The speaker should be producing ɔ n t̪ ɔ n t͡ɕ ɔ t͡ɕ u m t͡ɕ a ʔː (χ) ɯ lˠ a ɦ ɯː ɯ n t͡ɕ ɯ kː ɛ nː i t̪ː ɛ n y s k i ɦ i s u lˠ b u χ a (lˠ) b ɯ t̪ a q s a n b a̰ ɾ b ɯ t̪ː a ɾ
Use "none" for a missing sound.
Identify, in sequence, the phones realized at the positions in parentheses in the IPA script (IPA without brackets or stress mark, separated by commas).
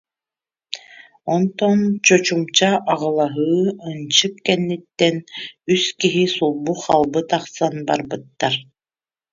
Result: ʁ, lˠ